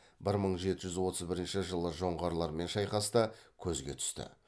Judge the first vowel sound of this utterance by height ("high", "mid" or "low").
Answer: high